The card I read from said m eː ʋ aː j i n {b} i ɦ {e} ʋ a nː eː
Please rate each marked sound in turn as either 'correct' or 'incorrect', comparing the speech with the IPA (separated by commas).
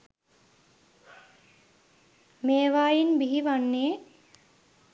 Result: correct, incorrect